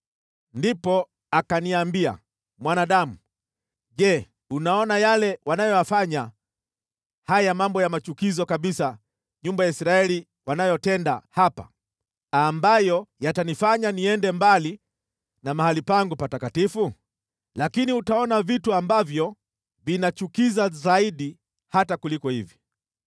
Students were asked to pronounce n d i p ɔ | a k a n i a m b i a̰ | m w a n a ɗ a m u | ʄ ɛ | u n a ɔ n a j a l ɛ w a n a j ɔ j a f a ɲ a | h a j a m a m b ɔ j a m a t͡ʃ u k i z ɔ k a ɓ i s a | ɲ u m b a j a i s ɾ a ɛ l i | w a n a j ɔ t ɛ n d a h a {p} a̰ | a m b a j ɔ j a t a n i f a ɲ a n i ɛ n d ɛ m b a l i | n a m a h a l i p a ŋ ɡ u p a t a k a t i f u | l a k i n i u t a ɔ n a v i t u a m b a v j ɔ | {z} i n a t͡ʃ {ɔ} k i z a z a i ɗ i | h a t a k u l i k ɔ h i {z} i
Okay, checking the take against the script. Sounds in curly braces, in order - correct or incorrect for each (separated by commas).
correct, incorrect, incorrect, incorrect